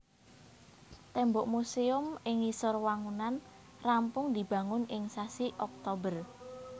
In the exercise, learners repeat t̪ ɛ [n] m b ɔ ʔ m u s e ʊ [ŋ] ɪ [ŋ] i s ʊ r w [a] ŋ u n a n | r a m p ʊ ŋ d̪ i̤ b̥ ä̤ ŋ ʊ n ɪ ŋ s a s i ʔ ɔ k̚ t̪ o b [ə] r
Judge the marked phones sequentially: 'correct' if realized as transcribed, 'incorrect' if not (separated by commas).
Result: incorrect, incorrect, correct, correct, correct